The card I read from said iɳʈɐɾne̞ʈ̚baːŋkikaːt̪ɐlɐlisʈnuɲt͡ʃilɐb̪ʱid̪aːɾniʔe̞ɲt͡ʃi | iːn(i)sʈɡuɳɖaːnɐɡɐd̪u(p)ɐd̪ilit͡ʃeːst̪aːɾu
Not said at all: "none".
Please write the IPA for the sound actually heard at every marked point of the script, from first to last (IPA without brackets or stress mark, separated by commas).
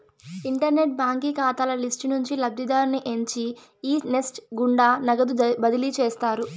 e, b